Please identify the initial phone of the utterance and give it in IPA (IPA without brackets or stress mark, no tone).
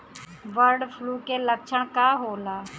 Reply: ʋ